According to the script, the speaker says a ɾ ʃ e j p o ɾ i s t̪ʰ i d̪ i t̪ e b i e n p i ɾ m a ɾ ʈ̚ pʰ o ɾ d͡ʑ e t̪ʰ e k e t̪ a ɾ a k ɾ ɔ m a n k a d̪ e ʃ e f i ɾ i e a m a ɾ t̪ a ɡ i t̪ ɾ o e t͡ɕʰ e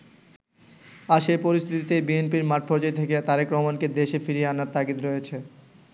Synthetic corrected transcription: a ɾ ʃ e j p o ɾ i s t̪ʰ i t̪ i t̪ e b i e n p i ɾ m a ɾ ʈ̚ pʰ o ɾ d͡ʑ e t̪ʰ e k e t̪ a ɾ e k ɾ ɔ m a n k e d̪ e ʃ e f i ɾ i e a n a ɾ t̪ a ɡ i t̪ ɾ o e t͡ɕʰ e